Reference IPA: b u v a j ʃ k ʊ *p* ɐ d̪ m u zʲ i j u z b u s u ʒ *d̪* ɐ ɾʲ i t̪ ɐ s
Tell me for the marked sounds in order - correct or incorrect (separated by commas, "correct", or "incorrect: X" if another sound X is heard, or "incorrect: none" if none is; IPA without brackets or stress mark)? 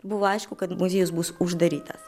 incorrect: k, correct